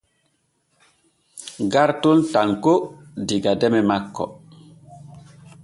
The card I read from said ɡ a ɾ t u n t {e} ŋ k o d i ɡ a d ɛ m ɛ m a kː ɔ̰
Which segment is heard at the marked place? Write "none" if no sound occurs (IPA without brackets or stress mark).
a